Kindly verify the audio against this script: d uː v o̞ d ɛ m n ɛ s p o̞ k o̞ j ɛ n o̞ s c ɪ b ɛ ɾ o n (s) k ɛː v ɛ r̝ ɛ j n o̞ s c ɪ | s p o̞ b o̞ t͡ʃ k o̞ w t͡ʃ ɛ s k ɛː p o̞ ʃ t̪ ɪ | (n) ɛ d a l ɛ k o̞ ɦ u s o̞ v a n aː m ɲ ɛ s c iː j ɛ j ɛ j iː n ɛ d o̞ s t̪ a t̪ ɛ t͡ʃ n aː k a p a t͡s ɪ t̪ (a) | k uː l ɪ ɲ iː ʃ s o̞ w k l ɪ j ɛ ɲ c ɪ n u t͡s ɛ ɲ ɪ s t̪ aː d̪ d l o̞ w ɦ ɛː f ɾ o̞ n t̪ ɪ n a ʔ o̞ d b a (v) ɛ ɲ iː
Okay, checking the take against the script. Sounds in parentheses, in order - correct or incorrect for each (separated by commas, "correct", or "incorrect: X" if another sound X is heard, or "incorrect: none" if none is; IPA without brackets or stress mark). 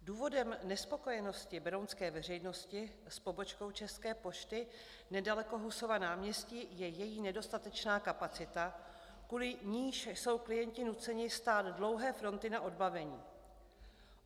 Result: correct, correct, correct, correct